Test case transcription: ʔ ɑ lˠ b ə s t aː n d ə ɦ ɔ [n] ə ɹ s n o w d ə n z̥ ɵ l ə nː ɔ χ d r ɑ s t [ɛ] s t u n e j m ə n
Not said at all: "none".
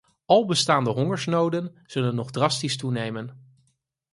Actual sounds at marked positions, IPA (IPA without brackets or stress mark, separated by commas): ŋ, i